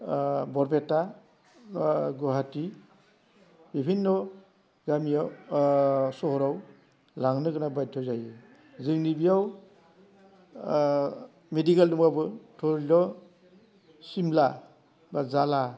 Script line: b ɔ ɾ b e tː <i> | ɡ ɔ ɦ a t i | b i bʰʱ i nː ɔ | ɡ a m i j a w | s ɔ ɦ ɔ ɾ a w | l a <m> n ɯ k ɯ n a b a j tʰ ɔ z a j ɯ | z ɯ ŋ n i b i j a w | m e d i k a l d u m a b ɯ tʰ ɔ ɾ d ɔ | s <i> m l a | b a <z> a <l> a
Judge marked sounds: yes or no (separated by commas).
no, no, yes, yes, yes